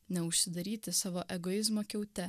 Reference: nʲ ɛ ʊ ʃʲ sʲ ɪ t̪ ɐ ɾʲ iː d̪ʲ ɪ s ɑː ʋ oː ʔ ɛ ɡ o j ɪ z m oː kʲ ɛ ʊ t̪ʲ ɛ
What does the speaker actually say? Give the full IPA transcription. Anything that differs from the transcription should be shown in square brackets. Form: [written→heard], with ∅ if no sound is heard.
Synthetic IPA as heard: nʲ ɛ ʊ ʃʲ sʲ ɪ [t̪→d̪] ɐ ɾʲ iː [d̪ʲ→t̪ʲ] ɪ s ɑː ʋ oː ʔ ɛ ɡ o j ɪ z m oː kʲ ɛ ʊ t̪ʲ ɛ

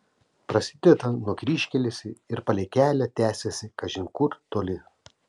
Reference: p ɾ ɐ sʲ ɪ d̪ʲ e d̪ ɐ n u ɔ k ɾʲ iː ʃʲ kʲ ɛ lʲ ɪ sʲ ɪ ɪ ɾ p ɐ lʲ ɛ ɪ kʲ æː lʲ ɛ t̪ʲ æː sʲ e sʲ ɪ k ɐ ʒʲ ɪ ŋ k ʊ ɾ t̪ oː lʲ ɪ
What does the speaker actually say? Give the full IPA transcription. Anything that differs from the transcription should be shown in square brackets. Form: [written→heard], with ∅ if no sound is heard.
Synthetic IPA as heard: p ɾ ɐ sʲ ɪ d̪ʲ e [d̪→t̪] ɐ n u ɔ k ɾʲ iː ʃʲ kʲ ɛ lʲ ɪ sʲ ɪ ɪ ɾ p ɐ lʲ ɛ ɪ kʲ æː lʲ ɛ t̪ʲ æː sʲ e sʲ ɪ k ɐ ʒʲ ɪ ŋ k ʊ ɾ t̪ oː lʲ ɪ

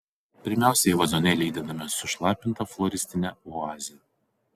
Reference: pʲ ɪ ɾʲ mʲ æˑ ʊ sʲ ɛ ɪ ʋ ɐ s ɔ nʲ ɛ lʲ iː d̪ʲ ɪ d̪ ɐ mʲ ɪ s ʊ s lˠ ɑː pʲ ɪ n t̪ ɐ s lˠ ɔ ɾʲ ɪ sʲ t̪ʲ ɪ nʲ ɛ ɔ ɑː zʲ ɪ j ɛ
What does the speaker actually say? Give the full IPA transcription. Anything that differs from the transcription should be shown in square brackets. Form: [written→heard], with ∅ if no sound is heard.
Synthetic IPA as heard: pʲ ɪ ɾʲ mʲ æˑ ʊ sʲ ɛ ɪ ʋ ɐ [s→z] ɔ nʲ ɛ lʲ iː d̪ʲ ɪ d̪ ɐ mʲ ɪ s ʊ [s→ʃ] lˠ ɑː pʲ ɪ n t̪ ɐ [s→f] lˠ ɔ ɾʲ ɪ sʲ t̪ʲ ɪ nʲ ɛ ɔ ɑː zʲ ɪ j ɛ

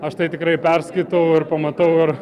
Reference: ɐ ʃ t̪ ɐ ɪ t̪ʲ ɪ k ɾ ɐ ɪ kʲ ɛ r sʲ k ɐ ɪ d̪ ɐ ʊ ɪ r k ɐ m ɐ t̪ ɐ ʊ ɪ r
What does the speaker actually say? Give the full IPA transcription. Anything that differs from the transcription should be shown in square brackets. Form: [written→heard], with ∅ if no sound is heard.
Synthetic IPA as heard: ɐ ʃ t̪ ɐ ɪ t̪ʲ ɪ k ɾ ɐ ɪ [kʲ→pʲ] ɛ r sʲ k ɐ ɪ [d̪→t̪] ɐ ʊ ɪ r [k→p] ɐ m ɐ t̪ ɐ ʊ ɪ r

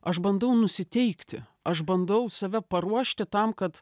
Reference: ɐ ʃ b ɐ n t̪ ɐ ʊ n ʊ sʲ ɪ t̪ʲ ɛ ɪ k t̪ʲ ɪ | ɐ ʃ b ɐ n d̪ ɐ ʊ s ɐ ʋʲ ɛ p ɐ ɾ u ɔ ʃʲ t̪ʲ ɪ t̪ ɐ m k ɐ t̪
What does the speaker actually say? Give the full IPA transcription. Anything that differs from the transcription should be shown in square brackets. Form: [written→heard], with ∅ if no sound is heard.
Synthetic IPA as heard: ɐ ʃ b ɐ n [t̪→d̪] ɐ ʊ n ʊ sʲ ɪ t̪ʲ ɛ ɪ k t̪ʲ ɪ | ɐ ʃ b ɐ n d̪ ɐ ʊ s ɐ ʋʲ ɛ p ɐ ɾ u ɔ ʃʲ t̪ʲ ɪ t̪ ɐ m k ɐ t̪

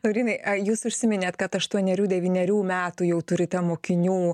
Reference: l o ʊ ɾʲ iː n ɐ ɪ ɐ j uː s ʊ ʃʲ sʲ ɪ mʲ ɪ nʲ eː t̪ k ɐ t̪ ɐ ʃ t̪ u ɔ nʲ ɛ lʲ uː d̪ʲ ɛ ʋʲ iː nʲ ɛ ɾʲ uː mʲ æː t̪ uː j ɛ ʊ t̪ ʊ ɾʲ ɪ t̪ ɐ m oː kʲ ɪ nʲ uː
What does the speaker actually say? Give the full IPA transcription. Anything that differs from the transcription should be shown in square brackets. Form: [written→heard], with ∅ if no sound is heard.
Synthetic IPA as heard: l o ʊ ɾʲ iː n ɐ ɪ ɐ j uː s ʊ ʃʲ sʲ ɪ mʲ ɪ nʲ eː t̪ k ɐ t̪ ɐ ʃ t̪ u ɔ nʲ ɛ [lʲ→ɾʲ] uː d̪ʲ ɛ ʋʲ iː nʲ ɛ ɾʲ uː mʲ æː t̪ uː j ɛ ʊ t̪ ʊ ɾʲ ɪ t̪ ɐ m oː kʲ ɪ nʲ uː

